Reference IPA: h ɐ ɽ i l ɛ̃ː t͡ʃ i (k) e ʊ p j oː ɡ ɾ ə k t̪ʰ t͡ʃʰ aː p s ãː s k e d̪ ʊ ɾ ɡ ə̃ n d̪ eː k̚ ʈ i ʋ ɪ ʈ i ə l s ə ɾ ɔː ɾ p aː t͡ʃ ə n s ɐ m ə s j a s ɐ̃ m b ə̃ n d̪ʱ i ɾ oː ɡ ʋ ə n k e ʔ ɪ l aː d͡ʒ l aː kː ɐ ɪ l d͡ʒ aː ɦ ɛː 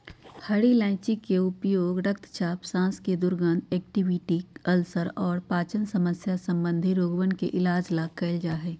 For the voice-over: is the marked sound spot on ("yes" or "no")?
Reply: yes